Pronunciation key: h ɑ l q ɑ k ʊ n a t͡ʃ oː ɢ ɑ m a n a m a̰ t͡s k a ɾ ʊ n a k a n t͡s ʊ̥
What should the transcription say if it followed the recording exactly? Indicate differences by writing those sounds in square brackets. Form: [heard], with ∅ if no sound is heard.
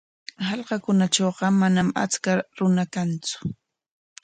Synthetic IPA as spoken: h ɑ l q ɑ k ʊ n a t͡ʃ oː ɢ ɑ m a n a m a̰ t͡s k a ɾ ʊ n a k a n t͡s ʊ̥